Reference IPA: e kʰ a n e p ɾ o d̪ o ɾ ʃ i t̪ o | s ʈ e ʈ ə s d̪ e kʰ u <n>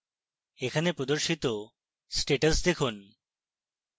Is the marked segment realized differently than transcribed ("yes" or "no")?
no